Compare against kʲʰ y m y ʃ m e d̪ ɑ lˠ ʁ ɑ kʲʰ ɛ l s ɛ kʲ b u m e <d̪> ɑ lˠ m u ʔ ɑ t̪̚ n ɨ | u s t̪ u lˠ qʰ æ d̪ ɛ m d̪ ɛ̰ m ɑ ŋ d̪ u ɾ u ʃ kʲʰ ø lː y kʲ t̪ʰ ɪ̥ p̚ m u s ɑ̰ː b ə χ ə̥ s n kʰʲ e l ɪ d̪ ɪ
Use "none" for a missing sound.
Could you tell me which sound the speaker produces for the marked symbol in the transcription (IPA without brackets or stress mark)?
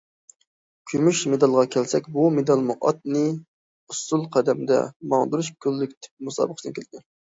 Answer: d̪